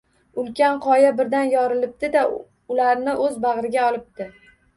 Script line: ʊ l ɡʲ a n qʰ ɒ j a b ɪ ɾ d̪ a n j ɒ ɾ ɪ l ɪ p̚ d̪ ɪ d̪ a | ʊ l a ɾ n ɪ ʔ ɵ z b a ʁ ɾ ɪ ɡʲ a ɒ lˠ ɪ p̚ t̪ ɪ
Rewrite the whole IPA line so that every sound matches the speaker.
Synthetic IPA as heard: ʊ l kʲ a n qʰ ɒ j a b ɪ ɾ d̪ a n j ɒ ɾ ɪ l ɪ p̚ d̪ ɪ d̪ a | ʊ l a ɾ n ɪ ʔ ɵ z b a ʁ ɾ ɪ ɡʲ a ɒ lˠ ɪ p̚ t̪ ɪ